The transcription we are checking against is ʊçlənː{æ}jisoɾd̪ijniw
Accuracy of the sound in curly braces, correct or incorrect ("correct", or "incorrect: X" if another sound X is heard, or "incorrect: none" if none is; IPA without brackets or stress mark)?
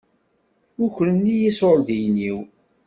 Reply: incorrect: i